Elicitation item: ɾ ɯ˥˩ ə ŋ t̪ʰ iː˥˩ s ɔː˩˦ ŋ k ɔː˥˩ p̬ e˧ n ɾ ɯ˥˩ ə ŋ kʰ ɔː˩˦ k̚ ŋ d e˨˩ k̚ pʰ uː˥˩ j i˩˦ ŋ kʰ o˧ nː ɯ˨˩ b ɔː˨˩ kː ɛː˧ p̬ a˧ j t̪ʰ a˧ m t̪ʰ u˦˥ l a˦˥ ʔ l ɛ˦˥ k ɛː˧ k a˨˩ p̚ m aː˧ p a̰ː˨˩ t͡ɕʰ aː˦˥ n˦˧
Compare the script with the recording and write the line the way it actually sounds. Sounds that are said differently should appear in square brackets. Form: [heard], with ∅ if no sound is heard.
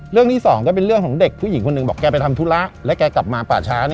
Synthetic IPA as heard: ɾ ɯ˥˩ ə ŋ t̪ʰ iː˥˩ s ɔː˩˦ ŋ k ɔː˥˩ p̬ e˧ n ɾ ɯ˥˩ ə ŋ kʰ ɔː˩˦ [∅] ŋ d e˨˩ k̚ pʰ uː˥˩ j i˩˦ ŋ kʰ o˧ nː ɯ˨˩ b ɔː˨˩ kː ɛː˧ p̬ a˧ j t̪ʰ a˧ m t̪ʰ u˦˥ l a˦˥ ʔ l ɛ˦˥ k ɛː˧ k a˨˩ p̚ m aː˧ p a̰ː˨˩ t͡ɕʰ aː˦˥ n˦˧